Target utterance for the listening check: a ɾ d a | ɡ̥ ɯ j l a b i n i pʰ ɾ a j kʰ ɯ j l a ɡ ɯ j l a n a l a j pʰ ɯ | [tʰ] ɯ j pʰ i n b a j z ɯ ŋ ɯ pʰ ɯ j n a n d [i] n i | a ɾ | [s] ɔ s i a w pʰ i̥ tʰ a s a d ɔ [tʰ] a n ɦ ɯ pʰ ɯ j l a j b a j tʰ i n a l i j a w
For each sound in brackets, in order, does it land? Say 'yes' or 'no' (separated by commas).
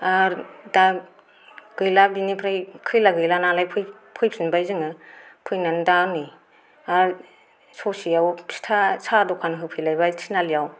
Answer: no, no, yes, no